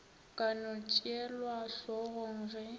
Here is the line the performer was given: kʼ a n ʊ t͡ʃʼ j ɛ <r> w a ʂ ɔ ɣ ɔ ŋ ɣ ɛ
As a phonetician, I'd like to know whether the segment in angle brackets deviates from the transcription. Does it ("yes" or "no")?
yes